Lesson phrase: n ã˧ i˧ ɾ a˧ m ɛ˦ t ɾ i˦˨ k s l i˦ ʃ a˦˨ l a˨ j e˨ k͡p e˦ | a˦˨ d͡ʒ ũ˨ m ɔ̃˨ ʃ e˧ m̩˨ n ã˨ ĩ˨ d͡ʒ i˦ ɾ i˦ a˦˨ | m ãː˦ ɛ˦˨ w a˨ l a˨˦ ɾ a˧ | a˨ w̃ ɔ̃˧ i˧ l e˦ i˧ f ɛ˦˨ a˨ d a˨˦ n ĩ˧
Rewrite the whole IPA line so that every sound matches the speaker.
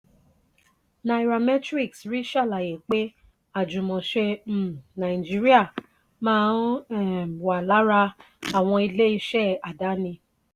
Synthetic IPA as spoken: n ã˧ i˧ ɾ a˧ m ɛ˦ t ɾ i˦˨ k s ɾ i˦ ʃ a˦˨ l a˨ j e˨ k͡p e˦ | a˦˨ d͡ʒ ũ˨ m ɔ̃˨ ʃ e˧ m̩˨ n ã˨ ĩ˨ d͡ʒ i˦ ɾ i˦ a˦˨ | m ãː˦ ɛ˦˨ w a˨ l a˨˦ ɾ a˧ | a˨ w̃ ɔ̃˧ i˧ l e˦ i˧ ʃ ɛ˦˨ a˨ d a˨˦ n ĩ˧